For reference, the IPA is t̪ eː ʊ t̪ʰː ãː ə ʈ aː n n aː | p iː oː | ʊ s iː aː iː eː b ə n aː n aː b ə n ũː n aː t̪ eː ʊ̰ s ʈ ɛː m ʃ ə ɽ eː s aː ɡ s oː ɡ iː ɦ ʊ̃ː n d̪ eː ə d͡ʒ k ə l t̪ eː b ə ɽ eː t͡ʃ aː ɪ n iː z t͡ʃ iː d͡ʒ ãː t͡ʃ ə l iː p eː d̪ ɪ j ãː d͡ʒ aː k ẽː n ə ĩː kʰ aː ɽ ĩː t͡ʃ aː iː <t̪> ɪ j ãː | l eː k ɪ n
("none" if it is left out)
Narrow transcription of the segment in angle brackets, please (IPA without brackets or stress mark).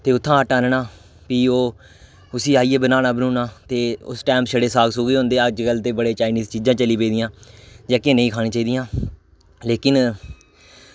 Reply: d̪